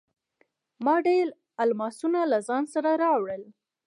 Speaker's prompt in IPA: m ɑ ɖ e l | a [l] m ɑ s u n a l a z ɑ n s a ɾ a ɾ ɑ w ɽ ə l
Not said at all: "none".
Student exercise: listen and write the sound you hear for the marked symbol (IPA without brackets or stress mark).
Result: l